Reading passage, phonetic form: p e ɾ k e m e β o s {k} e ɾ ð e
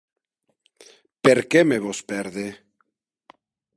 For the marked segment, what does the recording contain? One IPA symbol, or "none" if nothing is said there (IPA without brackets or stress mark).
p